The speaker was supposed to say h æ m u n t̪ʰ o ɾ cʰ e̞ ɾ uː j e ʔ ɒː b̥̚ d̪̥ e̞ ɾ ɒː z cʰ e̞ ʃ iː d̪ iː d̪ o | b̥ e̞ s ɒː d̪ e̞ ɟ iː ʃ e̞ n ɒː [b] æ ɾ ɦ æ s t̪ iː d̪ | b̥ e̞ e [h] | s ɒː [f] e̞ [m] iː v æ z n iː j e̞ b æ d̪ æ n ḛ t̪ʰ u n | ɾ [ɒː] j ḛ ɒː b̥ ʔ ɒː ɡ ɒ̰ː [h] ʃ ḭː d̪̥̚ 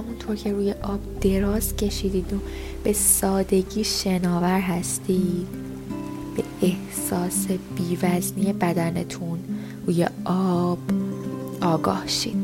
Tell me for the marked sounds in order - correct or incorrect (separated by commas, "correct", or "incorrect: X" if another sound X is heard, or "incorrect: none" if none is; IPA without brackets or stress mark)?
incorrect: v, correct, incorrect: s, incorrect: b, incorrect: uː, correct